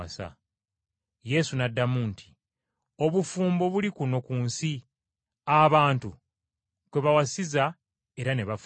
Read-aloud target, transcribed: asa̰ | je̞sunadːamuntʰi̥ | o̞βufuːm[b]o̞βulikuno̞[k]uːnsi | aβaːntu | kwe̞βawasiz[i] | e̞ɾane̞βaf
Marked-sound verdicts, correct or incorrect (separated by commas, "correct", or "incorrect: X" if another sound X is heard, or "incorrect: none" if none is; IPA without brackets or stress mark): correct, correct, incorrect: a